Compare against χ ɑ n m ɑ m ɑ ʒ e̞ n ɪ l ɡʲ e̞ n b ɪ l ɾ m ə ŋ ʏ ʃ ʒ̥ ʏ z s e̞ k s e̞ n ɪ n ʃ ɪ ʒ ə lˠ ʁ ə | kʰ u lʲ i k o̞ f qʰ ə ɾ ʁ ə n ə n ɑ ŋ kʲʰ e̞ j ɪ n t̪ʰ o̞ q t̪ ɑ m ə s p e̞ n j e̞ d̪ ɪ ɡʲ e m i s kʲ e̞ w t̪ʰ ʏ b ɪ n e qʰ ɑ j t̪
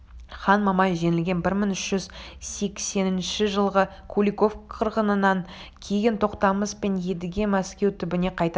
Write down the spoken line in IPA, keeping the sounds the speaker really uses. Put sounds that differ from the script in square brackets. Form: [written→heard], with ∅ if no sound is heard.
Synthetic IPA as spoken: χ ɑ n m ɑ m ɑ ʒ e̞ n ɪ l ɡʲ e̞ n b ɪ [l→∅] ɾ m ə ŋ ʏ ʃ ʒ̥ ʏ z s e̞ k s e̞ n ɪ n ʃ ɪ ʒ ə lˠ ʁ ə | kʰ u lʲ i k o̞ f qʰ ə ɾ ʁ ə n ə n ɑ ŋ kʲʰ e̞ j ɪ n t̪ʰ o̞ q t̪ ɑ m ə s p e̞ n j e̞ d̪ ɪ ɡʲ e m [i→æ] s kʲ e̞ w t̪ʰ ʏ b ɪ n e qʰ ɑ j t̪

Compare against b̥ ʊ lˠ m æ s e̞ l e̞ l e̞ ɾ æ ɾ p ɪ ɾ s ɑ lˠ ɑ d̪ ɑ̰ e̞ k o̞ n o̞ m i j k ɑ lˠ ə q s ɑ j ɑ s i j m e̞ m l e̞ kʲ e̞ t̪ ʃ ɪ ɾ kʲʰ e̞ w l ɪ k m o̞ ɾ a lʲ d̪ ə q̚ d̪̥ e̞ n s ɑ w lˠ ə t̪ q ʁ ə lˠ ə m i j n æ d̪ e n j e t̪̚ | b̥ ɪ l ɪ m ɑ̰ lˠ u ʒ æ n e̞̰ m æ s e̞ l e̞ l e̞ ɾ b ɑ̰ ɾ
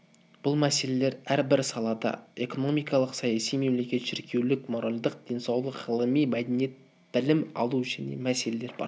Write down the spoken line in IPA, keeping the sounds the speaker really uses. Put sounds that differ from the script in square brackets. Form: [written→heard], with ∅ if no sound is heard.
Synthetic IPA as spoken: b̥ ʊ lˠ m æ s e̞ l e̞ l e̞ ɾ æ ɾ [p→b] ɪ ɾ s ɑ lˠ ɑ d̪ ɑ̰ e̞ k o̞ n o̞ m i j k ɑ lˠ ə q s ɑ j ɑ s i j m e̞ m l e̞ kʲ e̞ t̪ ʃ ɪ ɾ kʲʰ e̞ w l ɪ k m o̞ ɾ a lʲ d̪ ə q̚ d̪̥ e̞ n s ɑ w lˠ ə [t̪→∅] q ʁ ə lˠ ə m i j [n→m] æ d̪ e n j e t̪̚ | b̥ ɪ l ɪ m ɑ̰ lˠ u ʒ æ n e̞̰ m æ s e̞ l e̞ l e̞ ɾ b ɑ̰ ɾ

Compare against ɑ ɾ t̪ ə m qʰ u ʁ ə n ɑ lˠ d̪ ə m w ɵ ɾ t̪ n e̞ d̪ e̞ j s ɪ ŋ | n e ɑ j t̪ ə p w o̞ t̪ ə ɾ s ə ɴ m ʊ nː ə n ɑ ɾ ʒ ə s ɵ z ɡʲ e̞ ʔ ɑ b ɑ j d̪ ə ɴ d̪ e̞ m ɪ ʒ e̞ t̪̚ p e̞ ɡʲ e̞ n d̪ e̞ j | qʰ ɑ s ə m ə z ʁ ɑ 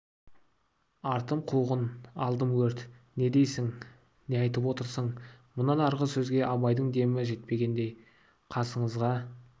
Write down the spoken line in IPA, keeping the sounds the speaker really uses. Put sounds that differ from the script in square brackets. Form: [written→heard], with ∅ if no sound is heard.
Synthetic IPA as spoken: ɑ ɾ t̪ ə m qʰ u ʁ ə n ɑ lˠ d̪ ə m w ɵ ɾ t̪ n e̞ d̪ e̞ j s ɪ ŋ | n e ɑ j t̪ ə p w o̞ t̪ ə ɾ s ə ɴ m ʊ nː [ə→ɑ] n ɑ ɾ [ʒ→ʁ] ə s ɵ z ɡʲ e̞ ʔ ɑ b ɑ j d̪ ə ɴ d̪ e̞ m ɪ ʒ e̞ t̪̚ p e̞ ɡʲ e̞ n d̪ e̞ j | qʰ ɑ s ə [m→ɴ] ə z ʁ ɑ

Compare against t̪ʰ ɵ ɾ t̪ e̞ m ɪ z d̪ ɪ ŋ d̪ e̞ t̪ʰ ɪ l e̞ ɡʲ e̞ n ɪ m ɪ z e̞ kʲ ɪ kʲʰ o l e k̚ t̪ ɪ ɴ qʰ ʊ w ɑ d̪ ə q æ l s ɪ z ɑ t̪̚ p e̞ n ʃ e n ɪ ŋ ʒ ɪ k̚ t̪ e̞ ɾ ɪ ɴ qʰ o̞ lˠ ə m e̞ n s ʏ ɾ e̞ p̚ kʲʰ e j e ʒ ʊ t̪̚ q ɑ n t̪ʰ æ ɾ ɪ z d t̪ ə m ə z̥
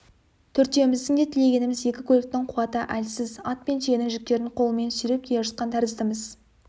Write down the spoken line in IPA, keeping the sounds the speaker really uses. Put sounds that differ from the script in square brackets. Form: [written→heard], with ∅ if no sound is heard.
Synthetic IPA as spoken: t̪ʰ ɵ ɾ t̪ e̞ m ɪ z d̪ ɪ ŋ d̪ e̞ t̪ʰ ɪ l e̞ ɡʲ e̞ n ɪ m ɪ z e̞ kʲ ɪ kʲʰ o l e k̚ t̪ ɪ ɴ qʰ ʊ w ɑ [d̪→t̪] ə [q→ʔ] æ l s ɪ z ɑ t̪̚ p e̞ n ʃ e n ɪ ŋ ʒ ɪ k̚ t̪ e̞ ɾ ɪ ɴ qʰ o̞ lˠ ə m e̞ n s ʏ ɾ e̞ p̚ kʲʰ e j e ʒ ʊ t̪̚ q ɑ n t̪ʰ æ ɾ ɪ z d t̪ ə m ə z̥

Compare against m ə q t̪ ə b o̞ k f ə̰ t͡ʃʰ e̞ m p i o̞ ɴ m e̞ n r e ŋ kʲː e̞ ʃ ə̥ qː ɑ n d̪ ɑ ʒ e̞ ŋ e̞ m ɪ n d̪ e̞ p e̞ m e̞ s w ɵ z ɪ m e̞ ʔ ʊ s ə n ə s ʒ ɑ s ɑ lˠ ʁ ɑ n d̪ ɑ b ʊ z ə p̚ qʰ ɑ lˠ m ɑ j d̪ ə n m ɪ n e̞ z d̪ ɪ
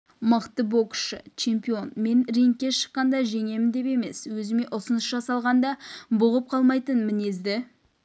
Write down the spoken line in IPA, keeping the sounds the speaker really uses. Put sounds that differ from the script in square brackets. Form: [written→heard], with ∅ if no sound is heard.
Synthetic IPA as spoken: m ə q t̪ ə b o̞ k [f→ʃ] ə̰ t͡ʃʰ e̞ m p i o̞ [ɴ→n] m e̞ n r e ŋ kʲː e̞ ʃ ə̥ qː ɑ n d̪ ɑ ʒ e̞ ŋ e̞ m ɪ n d̪ e̞ p e̞ m e̞ s w ɵ z ɪ m e̞ ʔ ʊ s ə n ə s ʒ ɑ s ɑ lˠ ʁ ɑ n d̪ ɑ b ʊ [z→ʁ] ə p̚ qʰ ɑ lˠ m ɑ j [d̪→t̪] ə n m ɪ n e̞ z d̪ ɪ

